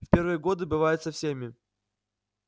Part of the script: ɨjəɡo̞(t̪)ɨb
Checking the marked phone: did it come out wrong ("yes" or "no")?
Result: yes